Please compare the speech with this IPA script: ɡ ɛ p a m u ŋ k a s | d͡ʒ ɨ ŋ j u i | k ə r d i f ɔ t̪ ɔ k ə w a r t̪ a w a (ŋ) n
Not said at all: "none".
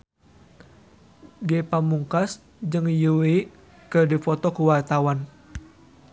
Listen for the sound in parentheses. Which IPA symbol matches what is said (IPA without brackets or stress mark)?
none